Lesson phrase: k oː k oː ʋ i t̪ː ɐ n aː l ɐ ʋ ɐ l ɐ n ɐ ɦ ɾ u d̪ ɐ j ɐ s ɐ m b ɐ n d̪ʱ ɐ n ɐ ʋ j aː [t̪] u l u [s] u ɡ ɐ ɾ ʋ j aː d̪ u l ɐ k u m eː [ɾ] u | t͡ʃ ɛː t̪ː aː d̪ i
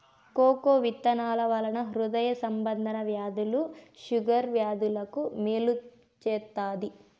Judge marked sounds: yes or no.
no, no, no

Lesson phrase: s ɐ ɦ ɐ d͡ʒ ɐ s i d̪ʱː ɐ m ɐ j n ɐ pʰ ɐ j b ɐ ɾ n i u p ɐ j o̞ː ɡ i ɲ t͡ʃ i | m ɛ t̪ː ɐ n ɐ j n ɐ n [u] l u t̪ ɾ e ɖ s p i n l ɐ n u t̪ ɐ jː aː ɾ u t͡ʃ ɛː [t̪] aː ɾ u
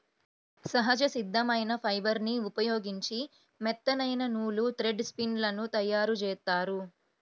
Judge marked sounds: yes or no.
no, yes

